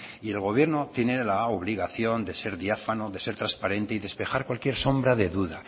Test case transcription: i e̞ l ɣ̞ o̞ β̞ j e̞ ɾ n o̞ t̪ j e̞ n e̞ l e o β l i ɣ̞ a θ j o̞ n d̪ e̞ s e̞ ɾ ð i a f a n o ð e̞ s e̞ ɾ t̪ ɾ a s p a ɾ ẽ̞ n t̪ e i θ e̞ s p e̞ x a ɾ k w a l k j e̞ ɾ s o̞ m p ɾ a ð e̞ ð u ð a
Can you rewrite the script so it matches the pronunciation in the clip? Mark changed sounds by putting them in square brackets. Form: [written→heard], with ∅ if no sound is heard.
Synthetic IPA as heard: i e̞ l ɣ̞ o̞ β̞ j e̞ ɾ n o̞ t̪ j e̞ n e̞ l [e→a] o β l i ɣ̞ a θ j o̞ n d̪ e̞ s e̞ ɾ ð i a f a n o ð e̞ s e̞ ɾ t̪ ɾ a s p a ɾ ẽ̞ n t̪ e i [θ→ð] e̞ s p e̞ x a ɾ k w a l k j e̞ ɾ s o̞ m [p→b] ɾ a ð e̞ ð u ð a